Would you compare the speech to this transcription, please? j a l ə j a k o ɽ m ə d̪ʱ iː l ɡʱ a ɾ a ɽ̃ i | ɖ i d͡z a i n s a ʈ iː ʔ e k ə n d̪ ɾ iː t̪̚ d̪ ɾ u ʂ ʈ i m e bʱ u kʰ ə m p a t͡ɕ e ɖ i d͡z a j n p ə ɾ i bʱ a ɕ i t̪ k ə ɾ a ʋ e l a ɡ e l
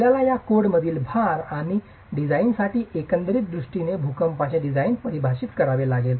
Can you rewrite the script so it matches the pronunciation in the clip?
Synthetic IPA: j a l a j a k o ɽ m ə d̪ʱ iː l bʱ a ɾ a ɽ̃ i | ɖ i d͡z a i n s a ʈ iː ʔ e k ə n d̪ ɾ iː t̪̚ d̪ ɾ u ʂ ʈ i n e bʱ u k ə m p a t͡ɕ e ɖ i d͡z a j n p ə ɾ i bʱ a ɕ i t̪ k ə ɾ a ʋ e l a ɡ e l